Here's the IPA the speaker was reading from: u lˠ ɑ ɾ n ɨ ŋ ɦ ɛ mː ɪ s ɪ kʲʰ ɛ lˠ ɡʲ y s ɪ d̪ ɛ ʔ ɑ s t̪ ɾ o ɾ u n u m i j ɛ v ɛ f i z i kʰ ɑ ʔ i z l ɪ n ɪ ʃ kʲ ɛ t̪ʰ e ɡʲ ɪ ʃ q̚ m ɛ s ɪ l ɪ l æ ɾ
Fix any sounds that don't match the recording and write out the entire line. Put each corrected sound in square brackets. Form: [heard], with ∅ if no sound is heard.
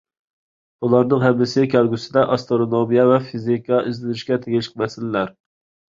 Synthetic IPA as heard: u lˠ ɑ ɾ n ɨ ŋ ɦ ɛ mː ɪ s ɪ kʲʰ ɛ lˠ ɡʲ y s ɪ d̪ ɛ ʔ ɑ s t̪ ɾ o ɾ [o] n [o] m i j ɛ v ɛ f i z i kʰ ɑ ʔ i z l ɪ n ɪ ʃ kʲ ɛ t̪ʰ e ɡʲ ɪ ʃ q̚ m ɛ s ɪ l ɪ l æ ɾ